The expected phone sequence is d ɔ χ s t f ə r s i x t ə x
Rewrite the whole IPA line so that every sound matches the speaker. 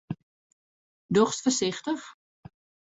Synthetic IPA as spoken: d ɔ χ s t f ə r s ɪ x t ə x